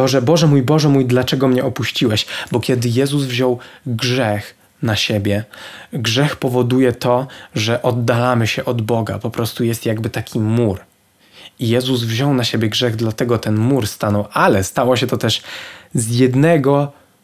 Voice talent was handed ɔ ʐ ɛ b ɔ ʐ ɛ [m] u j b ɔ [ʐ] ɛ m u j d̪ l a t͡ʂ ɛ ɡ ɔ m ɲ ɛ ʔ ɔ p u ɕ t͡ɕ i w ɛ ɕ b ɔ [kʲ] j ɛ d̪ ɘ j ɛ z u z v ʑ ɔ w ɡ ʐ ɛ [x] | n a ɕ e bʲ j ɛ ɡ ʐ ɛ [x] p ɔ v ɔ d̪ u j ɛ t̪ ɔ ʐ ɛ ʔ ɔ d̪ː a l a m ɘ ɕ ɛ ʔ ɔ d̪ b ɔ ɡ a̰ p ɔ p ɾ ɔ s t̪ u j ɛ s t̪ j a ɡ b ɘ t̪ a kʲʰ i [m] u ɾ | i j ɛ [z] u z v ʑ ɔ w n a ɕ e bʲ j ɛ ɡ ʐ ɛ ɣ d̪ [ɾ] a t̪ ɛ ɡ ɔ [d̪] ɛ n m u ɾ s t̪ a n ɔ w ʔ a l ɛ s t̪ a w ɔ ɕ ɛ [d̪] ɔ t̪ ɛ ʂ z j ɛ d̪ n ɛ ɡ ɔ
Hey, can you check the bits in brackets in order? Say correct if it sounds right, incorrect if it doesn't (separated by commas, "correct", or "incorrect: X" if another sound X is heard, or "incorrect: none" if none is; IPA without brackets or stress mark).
correct, correct, correct, correct, correct, correct, correct, incorrect: l, incorrect: t̪, incorrect: t̪